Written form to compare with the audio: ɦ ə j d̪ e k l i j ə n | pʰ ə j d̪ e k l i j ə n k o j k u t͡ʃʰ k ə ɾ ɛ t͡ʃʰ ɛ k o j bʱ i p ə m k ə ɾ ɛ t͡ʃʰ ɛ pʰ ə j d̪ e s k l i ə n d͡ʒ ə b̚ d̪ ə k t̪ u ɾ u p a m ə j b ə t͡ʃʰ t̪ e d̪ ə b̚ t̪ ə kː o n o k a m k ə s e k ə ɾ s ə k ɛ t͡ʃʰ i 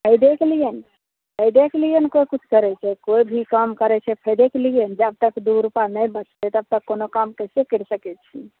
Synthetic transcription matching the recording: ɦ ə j d̪ e k l i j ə n | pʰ ə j d̪ e k l i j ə n k o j k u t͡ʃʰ k ə ɾ ɛ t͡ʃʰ ɛ k o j bʱ i k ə m k ə ɾ ɛ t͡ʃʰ ɛ pʰ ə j d̪ e k l i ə n d͡ʒ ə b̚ t̪ ə k d̪ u ɾ u p a n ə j b ə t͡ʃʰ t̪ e t̪ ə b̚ t̪ ə kː o n o k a m k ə s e k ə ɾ s ə k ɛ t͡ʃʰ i